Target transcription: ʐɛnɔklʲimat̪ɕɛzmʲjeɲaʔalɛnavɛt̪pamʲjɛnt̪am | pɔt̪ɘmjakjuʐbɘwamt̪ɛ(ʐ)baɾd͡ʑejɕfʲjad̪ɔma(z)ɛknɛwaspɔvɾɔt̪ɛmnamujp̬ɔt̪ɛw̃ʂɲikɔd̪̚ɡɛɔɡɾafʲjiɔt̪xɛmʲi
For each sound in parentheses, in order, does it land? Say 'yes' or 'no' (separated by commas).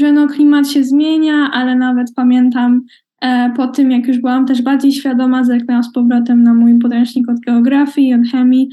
yes, yes